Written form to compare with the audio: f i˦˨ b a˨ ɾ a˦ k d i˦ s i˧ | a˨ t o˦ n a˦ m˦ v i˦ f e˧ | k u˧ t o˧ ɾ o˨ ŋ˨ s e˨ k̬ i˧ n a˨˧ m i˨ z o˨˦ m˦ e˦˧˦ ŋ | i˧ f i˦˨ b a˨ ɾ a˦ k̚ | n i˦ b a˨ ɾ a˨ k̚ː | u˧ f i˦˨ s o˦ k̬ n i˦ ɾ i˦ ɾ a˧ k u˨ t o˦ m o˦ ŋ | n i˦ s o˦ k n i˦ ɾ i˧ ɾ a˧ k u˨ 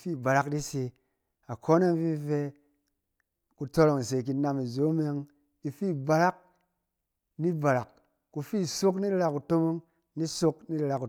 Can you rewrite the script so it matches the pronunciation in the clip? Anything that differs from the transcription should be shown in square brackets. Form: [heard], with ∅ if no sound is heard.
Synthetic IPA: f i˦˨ b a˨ ɾ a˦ k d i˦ s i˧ | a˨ [k] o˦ n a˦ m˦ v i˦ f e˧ | k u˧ t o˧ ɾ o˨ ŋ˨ s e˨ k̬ i˧ n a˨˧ m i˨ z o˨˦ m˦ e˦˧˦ ŋ | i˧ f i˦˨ b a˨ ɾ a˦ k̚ | n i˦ b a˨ ɾ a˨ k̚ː | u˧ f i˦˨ s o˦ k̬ n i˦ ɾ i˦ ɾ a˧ k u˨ t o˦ m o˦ ŋ | n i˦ s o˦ k n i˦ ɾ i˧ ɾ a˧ k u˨